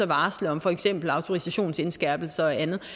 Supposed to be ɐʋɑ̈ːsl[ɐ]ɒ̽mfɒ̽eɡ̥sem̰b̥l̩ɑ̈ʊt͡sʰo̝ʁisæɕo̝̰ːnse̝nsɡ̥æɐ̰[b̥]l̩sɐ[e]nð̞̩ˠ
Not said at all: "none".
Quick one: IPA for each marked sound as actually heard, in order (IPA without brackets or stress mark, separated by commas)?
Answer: ə, b̥, æ